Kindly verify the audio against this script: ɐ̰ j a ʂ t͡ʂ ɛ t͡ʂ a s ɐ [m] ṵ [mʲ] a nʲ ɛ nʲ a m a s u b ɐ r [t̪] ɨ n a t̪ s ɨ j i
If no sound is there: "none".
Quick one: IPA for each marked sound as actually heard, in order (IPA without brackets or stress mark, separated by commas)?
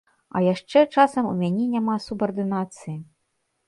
m, mʲ, d̪